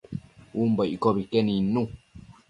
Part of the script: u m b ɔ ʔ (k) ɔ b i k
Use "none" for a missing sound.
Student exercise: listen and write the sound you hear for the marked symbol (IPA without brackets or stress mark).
k